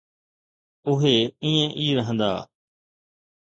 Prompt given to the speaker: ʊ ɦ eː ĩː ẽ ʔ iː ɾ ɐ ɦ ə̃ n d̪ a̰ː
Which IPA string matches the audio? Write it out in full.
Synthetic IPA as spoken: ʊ ɦ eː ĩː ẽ ʔ iː ɾ ə ɦ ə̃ n d̪ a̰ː